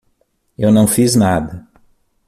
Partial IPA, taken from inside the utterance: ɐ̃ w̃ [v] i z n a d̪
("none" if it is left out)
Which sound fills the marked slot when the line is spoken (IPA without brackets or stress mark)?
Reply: f